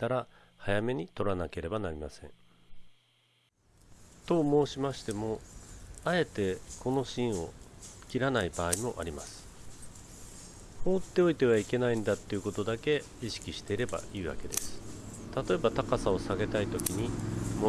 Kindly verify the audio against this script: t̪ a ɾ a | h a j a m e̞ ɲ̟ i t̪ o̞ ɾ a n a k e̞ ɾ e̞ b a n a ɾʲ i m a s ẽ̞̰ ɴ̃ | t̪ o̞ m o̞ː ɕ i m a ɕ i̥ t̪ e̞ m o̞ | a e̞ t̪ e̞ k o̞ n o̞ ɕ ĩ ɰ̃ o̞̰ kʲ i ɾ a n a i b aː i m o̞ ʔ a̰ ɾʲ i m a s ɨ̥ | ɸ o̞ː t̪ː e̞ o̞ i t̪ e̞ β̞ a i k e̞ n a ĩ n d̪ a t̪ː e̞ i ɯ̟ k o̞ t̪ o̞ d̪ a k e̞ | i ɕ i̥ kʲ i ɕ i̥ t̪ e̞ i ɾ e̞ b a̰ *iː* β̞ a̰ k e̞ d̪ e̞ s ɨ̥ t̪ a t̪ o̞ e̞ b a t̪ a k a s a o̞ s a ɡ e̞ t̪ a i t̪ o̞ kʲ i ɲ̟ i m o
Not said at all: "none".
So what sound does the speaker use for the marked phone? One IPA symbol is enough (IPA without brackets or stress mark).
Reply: iː